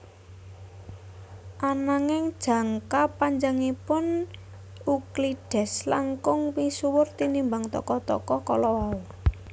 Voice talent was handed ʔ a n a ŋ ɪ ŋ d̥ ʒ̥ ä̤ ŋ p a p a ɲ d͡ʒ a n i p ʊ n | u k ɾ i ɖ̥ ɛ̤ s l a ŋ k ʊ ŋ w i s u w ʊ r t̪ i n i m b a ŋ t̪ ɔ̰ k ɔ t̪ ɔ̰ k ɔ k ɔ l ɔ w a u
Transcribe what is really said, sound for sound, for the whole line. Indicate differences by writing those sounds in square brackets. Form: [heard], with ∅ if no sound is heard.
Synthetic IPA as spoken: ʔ a n a ŋ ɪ ŋ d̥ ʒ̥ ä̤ ŋ [k] a p a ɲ d͡ʒ a [ŋ] i p ʊ n | u k [l] i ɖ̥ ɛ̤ s l a ŋ k ʊ ŋ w i s u w ʊ r t̪ i n i m b a ŋ t̪ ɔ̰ k ɔ t̪ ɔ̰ k ɔ k ɔ l ɔ w a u